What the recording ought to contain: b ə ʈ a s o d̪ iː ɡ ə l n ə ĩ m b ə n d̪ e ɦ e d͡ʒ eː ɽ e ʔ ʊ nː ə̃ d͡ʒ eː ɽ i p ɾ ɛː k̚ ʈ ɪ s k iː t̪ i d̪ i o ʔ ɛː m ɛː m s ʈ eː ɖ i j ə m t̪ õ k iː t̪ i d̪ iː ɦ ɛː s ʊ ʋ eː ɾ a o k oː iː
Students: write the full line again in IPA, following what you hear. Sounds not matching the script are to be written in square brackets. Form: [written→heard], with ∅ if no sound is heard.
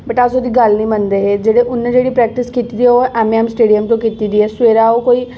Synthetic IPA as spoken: b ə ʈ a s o d̪ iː ɡ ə l n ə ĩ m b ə n d̪ e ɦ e d͡ʒ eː ɽ e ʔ ʊ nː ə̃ d͡ʒ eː ɽ i p ɾ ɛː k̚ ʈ ɪ s k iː t̪ i d̪ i o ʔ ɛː m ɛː m s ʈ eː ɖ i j ə m t̪ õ k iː t̪ i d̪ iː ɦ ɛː s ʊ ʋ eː ɾ a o k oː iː